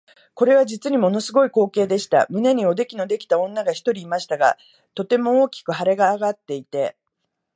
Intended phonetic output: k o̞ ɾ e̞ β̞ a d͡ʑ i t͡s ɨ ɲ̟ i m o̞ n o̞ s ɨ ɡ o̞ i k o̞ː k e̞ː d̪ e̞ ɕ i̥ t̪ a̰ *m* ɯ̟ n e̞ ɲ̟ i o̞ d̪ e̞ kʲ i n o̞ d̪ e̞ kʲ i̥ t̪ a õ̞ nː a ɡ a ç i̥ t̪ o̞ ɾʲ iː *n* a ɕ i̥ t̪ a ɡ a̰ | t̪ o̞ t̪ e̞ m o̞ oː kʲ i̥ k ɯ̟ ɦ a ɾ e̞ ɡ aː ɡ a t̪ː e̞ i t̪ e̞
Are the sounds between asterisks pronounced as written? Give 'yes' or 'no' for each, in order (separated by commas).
yes, no